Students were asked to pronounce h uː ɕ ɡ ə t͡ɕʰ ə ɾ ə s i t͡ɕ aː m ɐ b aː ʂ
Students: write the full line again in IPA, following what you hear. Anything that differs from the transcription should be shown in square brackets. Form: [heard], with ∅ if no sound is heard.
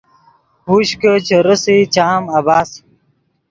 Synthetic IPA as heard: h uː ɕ [k] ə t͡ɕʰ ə ɾ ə s i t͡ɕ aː m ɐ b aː [s]